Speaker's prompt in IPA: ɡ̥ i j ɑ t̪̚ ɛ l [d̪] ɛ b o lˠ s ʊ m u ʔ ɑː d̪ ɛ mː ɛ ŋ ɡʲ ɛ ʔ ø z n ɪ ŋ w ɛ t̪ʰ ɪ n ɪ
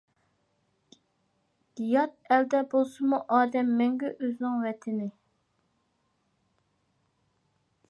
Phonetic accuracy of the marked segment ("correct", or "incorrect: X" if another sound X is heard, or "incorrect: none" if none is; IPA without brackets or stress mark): correct